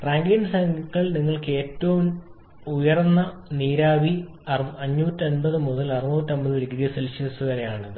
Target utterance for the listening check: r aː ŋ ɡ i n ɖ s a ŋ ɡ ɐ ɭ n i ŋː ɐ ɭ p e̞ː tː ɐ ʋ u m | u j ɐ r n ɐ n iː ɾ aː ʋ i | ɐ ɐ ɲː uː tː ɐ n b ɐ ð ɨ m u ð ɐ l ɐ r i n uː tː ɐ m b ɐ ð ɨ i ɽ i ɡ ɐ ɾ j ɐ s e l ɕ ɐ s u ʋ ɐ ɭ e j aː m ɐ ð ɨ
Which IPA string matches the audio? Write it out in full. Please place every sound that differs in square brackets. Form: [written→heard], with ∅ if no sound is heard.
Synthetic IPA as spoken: r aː ŋ ɡ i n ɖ s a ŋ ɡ ɐ ɭ n i ŋː ɐ ɭ [p→k] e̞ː tː ɐ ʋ u m | u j ɐ r [n→nː] ɐ n iː ɾ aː ʋ i | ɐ ɐ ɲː uː tː ɐ n b ɐ ð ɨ m u ð ɐ l ɐ r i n uː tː ɐ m b ɐ ð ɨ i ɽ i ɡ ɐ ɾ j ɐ s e l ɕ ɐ s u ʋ ɐ [ɭ→ɾ] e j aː [m→ɳ] ɐ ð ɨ